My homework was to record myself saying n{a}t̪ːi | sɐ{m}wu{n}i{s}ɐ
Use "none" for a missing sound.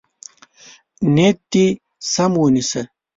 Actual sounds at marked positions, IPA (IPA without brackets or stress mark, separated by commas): e, m, n, s